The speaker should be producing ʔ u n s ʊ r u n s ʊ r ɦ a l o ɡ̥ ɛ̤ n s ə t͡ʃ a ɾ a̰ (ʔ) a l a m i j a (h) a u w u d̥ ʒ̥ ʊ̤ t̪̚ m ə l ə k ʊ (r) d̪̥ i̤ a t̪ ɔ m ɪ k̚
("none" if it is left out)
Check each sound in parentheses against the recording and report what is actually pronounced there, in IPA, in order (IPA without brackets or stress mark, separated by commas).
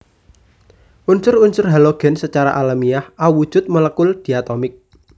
ʔ, h, l